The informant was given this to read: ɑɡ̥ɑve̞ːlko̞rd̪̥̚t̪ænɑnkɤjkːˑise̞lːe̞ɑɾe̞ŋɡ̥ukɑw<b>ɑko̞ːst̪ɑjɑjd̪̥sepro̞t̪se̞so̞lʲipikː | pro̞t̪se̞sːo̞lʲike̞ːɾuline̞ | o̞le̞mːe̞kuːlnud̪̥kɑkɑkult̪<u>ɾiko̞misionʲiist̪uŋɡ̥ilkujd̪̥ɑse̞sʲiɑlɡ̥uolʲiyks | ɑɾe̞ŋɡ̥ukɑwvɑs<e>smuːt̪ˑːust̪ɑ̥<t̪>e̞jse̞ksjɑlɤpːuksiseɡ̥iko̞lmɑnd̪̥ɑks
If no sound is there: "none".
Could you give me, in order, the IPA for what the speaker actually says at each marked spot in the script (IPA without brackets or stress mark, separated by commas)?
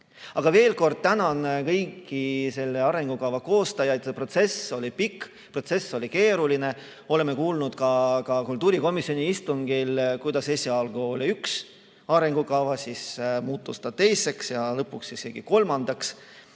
v, uː, i, t̪